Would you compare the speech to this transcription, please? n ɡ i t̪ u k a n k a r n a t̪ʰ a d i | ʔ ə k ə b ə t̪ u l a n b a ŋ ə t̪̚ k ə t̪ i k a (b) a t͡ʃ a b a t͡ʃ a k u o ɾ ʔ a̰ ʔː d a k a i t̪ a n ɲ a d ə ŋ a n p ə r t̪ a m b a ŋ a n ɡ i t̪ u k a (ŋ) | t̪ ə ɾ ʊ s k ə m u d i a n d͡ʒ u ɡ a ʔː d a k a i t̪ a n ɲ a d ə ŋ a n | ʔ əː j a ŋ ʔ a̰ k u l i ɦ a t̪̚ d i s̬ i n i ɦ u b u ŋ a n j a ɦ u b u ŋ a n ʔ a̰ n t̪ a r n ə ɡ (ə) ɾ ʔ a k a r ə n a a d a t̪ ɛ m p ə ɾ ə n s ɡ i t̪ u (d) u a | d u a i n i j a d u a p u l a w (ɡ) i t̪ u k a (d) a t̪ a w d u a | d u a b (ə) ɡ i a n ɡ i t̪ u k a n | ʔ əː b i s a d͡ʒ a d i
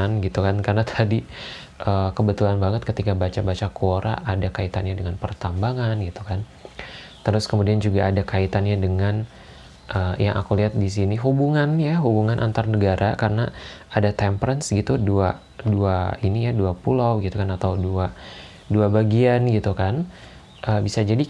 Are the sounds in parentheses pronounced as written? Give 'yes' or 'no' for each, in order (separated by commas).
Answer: yes, no, no, yes, yes, no, no